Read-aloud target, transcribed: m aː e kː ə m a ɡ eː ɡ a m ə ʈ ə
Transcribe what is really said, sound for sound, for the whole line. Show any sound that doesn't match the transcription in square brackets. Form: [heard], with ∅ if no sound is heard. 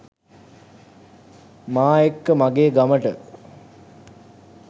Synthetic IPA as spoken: m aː e kː ə m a ɡ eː ɡ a m ə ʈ ə